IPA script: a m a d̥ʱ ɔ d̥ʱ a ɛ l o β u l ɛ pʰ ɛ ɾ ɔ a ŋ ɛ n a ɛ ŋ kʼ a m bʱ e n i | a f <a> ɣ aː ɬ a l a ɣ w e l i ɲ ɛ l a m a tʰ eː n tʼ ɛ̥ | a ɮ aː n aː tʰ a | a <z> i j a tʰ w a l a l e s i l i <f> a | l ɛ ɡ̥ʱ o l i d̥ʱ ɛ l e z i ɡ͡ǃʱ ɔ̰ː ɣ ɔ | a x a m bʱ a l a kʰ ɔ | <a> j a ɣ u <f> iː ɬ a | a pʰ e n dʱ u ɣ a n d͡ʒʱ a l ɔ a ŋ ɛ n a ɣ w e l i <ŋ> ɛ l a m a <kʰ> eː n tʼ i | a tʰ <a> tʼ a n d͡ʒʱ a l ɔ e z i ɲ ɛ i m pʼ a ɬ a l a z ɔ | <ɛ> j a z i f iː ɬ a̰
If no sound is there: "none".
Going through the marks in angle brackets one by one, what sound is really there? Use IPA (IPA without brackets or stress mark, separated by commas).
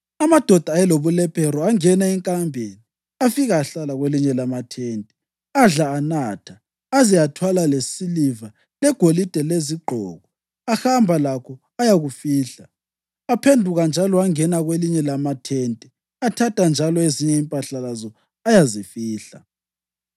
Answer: i, z, v, a, f, ɲ, tʰ, a, a